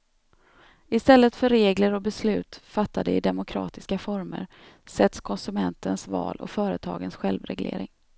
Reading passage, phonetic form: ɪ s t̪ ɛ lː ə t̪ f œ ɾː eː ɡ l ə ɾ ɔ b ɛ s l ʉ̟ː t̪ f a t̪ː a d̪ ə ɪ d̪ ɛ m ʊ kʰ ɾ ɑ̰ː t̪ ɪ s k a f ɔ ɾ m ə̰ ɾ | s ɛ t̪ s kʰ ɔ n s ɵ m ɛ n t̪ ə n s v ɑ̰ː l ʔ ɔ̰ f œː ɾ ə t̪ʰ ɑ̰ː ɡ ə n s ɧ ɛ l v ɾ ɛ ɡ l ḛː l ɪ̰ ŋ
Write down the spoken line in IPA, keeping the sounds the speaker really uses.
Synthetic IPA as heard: ɪ s t̪ ɛ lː ə t̪ f œ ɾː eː ɡ l ə ɾ ɔ b ɛ s l ʉ̟ː t̪ f a t̪ː a d̪ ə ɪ d̪ ɛ m ʊ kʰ ɾ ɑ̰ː t̪ ɪ s k a f ɔ ɾ m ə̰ ɾ | s ɛ t̪ s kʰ ɔ n s ɵ m ɛ n t̪ ə n s v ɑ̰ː l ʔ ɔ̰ f œː ɾ ə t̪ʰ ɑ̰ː ɡ ə n s ɧ ɛ l v ɾ ɛ ɡ l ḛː ɾ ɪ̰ ŋ